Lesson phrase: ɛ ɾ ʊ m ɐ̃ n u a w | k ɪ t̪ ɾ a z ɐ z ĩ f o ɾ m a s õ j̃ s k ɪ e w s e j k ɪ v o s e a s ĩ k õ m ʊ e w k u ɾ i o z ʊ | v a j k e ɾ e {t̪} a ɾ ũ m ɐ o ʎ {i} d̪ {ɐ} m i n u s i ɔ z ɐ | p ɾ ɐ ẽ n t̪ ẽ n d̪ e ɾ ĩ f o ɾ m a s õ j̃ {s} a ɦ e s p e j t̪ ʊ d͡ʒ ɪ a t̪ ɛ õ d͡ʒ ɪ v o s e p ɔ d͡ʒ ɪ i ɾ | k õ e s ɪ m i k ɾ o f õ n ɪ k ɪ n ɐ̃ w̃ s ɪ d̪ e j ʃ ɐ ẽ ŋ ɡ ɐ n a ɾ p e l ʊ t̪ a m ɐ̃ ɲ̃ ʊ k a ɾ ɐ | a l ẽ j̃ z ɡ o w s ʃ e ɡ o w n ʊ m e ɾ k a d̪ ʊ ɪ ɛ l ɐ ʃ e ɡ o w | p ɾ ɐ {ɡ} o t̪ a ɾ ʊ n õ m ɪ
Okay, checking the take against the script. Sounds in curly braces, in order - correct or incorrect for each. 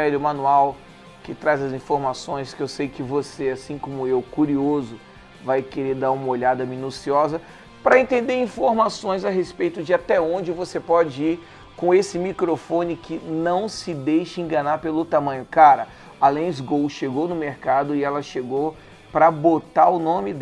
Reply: incorrect: d̪, incorrect: a, correct, incorrect: z, incorrect: b

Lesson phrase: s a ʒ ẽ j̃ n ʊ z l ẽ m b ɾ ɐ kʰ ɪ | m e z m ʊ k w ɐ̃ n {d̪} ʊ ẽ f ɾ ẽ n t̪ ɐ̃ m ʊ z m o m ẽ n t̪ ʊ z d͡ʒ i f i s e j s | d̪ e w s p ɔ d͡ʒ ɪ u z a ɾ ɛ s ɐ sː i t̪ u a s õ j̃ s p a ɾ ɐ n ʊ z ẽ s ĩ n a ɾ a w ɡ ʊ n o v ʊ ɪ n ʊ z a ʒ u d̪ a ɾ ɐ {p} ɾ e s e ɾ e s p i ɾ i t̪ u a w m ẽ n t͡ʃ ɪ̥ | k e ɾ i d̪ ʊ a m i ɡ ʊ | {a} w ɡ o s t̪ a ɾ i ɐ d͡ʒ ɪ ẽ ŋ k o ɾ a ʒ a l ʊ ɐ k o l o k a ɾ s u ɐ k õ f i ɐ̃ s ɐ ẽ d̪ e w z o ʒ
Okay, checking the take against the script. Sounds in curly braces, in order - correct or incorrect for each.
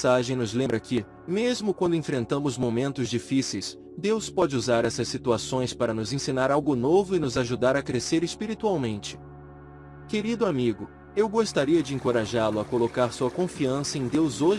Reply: correct, incorrect: k, incorrect: e

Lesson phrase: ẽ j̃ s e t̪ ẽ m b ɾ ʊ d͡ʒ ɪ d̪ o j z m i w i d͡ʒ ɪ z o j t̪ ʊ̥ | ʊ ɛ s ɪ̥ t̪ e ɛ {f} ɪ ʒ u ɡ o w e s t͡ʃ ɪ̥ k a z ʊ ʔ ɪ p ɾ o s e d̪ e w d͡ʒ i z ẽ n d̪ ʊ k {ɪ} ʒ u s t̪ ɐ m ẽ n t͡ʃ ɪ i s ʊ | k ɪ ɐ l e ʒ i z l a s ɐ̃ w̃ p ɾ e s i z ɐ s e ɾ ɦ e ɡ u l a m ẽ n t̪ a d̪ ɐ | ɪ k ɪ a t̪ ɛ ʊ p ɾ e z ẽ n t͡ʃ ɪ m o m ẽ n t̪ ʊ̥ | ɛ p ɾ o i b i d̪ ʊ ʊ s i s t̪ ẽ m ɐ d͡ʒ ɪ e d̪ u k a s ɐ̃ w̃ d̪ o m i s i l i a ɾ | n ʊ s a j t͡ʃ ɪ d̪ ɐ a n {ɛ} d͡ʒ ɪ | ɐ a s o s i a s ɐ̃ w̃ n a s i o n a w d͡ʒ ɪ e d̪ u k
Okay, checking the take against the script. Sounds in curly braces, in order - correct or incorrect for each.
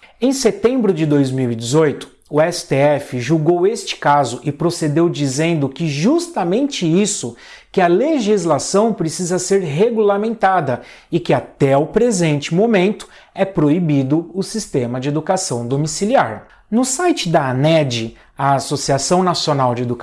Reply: correct, correct, correct

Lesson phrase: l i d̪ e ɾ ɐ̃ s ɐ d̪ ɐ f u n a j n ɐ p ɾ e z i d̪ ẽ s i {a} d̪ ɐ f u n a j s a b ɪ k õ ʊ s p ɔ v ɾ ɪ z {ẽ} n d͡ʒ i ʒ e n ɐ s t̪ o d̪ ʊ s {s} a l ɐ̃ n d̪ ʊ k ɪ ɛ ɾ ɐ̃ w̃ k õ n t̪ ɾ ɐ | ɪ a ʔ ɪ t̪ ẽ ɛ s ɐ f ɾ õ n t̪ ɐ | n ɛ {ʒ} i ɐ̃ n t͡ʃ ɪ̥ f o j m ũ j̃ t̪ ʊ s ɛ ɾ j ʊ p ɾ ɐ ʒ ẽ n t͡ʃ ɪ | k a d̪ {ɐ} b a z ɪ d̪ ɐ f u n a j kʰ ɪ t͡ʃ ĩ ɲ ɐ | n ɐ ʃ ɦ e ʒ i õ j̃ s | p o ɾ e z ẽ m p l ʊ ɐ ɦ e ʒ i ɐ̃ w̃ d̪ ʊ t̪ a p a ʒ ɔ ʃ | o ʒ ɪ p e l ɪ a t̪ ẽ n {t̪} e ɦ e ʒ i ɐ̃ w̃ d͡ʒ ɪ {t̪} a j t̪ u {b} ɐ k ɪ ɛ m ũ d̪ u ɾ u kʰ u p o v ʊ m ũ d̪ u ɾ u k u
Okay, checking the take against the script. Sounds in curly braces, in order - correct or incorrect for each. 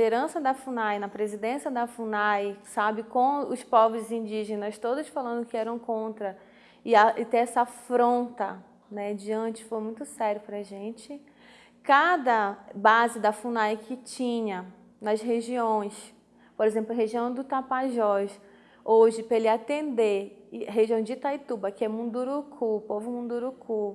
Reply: incorrect: ɐ, incorrect: ĩ, incorrect: f, incorrect: d͡ʒ, correct, incorrect: d̪, correct, correct

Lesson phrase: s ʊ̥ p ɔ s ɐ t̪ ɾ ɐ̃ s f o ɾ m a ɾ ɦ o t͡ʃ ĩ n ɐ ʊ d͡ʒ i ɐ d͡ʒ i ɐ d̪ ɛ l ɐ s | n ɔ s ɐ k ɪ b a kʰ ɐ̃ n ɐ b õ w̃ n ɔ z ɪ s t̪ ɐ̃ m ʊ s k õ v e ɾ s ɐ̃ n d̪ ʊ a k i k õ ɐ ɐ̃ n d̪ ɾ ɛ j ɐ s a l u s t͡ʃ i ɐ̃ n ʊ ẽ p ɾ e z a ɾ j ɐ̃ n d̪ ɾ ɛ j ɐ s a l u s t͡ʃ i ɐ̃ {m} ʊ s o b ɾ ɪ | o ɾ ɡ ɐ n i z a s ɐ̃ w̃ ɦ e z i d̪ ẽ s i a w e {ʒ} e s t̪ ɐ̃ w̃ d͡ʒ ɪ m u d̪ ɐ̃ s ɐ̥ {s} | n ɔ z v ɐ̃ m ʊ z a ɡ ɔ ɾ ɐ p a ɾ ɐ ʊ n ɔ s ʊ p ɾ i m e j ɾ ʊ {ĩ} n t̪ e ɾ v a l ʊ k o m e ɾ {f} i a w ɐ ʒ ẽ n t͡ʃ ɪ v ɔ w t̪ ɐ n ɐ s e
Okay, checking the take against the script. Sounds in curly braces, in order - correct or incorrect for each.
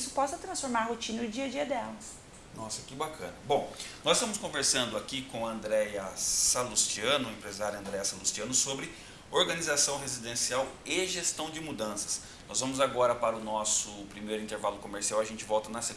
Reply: incorrect: n, correct, correct, correct, incorrect: s

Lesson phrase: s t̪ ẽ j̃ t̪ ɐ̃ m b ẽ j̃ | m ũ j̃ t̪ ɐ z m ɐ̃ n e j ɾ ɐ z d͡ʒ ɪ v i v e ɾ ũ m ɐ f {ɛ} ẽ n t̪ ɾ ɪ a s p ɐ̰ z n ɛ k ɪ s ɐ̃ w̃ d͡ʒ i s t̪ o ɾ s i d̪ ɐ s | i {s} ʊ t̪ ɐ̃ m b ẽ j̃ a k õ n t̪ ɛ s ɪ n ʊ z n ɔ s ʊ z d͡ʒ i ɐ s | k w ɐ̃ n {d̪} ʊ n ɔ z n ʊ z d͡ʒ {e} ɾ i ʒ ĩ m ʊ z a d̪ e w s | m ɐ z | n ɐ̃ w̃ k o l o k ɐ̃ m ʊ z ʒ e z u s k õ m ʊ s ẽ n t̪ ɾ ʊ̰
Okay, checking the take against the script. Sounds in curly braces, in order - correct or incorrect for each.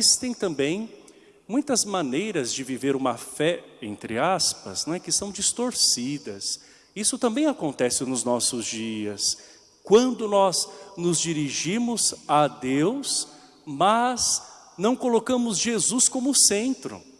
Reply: correct, correct, correct, incorrect: i

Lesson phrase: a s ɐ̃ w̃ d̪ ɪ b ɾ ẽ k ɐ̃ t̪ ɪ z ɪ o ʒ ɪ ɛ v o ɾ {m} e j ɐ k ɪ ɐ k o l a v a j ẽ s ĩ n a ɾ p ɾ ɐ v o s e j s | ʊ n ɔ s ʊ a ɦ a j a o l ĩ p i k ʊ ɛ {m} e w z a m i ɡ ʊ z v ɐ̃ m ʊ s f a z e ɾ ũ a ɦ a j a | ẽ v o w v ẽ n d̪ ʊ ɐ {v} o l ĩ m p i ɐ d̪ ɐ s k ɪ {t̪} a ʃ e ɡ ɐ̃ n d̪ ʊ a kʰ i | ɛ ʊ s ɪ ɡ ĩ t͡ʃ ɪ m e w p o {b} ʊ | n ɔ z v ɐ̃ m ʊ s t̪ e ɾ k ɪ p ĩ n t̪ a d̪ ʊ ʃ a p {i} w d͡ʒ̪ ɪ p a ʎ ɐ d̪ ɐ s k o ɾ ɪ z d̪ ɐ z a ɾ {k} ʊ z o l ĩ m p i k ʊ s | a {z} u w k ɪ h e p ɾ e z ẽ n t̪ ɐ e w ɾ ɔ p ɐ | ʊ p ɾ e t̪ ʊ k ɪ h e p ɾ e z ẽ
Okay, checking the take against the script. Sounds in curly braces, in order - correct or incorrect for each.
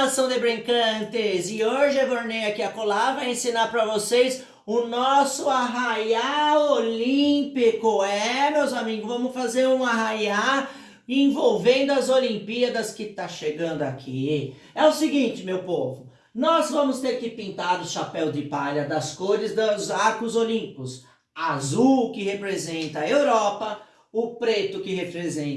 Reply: incorrect: n, correct, incorrect: z, correct, incorrect: v, incorrect: ɛ, correct, correct

